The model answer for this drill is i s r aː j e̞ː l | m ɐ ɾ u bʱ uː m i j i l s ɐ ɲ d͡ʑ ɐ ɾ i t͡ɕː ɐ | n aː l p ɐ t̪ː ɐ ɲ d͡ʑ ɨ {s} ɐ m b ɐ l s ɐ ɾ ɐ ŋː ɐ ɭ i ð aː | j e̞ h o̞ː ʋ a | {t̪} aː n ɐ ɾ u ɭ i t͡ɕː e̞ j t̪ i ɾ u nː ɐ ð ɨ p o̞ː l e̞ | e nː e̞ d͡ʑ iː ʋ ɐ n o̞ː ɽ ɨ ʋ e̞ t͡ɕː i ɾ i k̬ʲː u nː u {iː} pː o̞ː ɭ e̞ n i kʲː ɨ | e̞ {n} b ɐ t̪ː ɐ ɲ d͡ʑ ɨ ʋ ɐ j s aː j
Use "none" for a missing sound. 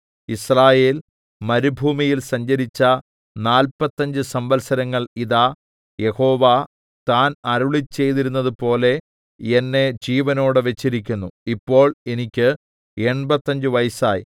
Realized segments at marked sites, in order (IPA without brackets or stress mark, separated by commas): s, t̪, i, ɳ